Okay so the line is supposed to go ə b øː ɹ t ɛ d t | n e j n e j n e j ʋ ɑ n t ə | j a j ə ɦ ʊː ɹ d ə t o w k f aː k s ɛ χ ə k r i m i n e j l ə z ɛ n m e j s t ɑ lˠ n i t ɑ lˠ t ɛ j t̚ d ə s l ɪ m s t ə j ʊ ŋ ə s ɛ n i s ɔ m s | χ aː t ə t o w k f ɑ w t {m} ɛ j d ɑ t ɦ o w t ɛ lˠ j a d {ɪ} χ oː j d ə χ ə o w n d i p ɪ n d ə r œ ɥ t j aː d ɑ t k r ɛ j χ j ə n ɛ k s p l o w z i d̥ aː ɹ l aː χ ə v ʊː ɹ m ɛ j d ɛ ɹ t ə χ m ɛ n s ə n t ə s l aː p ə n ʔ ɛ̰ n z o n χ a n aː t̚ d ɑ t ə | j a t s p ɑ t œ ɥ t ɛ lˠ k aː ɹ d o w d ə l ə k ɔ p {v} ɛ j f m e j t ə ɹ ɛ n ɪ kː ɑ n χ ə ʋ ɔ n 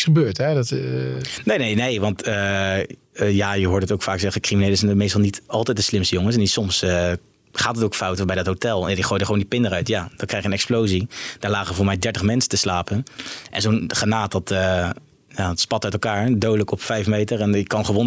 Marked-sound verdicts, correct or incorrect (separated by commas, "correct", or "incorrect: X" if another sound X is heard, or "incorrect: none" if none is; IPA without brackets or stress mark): incorrect: b, incorrect: i, incorrect: f